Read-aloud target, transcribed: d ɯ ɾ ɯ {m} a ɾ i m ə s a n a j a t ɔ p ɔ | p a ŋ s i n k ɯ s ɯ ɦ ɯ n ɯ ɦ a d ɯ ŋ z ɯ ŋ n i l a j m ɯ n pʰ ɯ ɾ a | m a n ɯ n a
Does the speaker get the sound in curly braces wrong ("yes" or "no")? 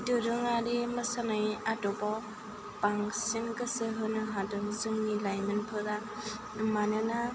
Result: yes